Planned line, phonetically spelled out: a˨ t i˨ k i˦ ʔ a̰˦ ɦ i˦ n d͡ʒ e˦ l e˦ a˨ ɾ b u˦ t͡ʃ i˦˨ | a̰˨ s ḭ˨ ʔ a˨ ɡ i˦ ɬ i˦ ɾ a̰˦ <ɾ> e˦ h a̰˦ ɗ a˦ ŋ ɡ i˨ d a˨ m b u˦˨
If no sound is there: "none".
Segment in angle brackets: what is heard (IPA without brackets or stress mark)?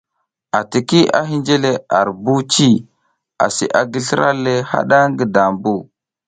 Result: l